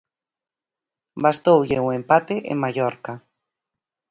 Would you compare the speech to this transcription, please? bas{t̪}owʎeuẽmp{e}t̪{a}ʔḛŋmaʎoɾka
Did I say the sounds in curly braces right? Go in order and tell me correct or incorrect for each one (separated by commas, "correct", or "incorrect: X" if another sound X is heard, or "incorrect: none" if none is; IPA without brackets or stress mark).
correct, incorrect: a, incorrect: e